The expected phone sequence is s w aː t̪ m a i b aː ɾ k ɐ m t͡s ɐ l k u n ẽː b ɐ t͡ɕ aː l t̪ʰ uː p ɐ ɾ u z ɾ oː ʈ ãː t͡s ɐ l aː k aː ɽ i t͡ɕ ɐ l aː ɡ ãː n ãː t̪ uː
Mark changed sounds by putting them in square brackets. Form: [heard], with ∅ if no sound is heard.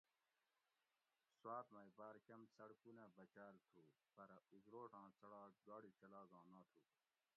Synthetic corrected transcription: s w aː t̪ m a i b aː ɾ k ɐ m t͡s ɐ [ɽ] k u n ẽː b ɐ t͡ɕ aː l t̪ʰ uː p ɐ ɾ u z ɾ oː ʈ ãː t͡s ɐ [ɽ] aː [ɡ] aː ɽ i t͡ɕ ɐ l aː ɡ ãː n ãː [t̪ʰ] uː

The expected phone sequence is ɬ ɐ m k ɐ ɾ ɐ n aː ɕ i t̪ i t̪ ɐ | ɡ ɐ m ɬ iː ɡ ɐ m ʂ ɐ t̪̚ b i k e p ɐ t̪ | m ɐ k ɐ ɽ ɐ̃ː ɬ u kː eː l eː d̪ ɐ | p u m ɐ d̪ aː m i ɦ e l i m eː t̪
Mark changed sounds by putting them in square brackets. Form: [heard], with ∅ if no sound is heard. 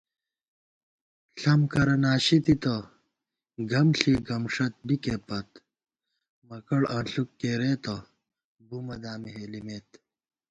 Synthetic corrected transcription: ɬ ɐ m k ɐ ɾ ɐ n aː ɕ i t̪ i t̪ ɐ | ɡ ɐ m ɬ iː ɡ ɐ m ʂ ɐ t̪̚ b i k e p ɐ t̪ | m ɐ k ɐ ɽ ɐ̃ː ɬ u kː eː [ɾ] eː [t̪] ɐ | [b] u m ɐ d̪ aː m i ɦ e l i m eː t̪

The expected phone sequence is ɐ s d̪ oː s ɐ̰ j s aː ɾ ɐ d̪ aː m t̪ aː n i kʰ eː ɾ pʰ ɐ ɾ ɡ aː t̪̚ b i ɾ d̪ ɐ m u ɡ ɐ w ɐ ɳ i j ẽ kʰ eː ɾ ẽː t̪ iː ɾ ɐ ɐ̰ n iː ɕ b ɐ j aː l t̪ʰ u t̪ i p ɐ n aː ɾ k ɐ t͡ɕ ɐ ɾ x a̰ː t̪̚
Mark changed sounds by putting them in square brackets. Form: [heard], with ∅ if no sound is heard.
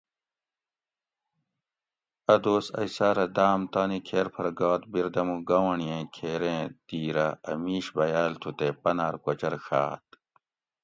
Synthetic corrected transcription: ɐ [∅] d̪ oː s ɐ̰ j s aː ɾ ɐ d̪ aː m t̪ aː n i kʰ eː ɾ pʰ ɐ ɾ ɡ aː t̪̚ b i ɾ d̪ ɐ m u ɡ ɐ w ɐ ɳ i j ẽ kʰ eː ɾ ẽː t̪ iː ɾ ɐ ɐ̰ [m] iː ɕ b ɐ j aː l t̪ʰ u t̪ [e] p ɐ n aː ɾ k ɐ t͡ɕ ɐ ɾ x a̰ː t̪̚

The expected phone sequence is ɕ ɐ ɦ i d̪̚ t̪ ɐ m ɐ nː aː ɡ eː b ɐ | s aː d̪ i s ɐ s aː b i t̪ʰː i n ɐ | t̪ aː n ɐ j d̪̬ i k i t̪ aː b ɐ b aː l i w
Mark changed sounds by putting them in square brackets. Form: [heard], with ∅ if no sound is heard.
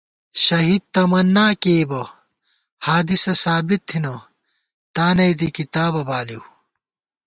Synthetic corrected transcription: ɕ ɐ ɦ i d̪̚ t̪ ɐ m ɐ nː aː [k] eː b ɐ | [h] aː d̪ i s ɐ s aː b i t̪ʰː i n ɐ | t̪ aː n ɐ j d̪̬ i k i t̪ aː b ɐ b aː l i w

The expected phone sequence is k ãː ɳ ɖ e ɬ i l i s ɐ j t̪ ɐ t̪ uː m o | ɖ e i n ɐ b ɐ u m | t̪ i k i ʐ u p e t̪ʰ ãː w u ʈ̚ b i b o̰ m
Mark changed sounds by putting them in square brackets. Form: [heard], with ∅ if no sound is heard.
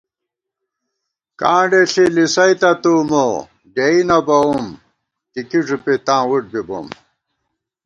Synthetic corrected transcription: k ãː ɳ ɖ e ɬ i l i s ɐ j t̪ ɐ t̪ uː m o | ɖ e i n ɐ b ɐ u m | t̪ i k i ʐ u p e [t̪] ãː w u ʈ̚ b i b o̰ m

